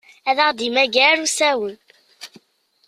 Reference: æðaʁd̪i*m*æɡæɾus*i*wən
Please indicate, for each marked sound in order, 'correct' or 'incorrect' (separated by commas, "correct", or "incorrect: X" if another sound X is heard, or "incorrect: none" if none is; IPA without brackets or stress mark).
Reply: correct, incorrect: æ